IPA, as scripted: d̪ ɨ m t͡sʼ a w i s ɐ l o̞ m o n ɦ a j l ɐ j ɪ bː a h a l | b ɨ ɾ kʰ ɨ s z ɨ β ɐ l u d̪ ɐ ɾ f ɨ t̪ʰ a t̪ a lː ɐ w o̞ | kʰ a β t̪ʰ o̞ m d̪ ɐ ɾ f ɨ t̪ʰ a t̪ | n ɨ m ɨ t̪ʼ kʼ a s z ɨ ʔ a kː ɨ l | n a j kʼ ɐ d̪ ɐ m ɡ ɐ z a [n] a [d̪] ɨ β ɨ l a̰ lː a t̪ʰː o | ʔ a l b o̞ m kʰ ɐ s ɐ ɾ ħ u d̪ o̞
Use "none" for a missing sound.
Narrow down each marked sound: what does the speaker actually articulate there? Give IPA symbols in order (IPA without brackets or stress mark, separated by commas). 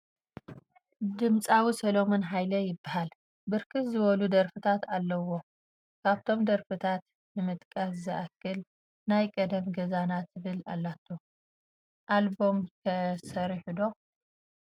n, t̪